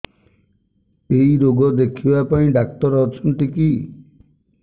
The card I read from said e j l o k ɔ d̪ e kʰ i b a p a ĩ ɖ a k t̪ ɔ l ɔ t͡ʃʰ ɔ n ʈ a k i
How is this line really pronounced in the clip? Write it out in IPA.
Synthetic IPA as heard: e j ɾ o ɡ ɔ d̪ e kʰ i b a p a ĩ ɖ a k t̪ ɔ ɾ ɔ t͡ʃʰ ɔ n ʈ i k i